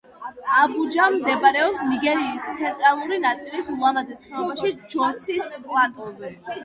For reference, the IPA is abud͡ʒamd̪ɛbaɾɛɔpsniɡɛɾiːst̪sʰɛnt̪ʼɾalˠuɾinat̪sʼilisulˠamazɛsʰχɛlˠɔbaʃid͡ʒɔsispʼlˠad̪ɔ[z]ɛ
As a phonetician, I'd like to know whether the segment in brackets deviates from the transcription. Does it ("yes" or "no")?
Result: no